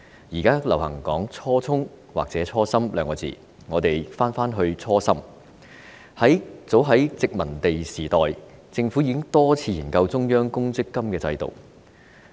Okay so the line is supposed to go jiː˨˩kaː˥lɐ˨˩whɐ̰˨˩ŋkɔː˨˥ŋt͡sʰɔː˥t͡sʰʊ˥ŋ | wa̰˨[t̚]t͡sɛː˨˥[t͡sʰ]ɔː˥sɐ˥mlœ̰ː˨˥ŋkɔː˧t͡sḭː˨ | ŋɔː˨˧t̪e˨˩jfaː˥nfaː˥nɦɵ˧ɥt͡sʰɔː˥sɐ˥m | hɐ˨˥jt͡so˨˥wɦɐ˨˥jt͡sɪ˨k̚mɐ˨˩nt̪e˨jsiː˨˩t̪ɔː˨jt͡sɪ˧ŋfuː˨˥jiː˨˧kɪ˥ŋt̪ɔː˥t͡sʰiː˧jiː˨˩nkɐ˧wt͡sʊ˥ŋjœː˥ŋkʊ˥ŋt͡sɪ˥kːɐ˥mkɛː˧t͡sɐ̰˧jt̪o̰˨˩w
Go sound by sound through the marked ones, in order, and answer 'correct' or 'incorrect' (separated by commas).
incorrect, correct